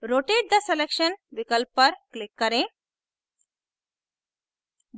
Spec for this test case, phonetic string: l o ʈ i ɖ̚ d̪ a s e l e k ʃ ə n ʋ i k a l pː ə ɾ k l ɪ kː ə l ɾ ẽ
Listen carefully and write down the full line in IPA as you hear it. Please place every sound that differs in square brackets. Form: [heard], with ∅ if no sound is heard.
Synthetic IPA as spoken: [ɾ] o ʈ [e] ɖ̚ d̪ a s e l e k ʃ ə n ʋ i k [ə] l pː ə ɾ k l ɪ kː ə [∅] ɾ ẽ